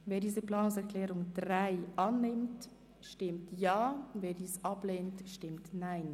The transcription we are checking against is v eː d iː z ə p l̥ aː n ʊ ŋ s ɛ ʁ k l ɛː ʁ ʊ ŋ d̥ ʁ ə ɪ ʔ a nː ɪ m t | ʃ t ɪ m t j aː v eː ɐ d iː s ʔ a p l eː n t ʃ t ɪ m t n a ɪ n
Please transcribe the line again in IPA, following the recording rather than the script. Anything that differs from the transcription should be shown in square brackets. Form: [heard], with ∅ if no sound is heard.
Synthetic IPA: v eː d iː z ə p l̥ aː n ʊ ŋ s ɛ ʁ k l ɛː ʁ ʊ ŋ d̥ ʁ [a] ɪ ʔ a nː ɪ m t | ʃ t ɪ m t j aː v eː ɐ d iː s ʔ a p l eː n t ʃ t ɪ m t n a ɪ n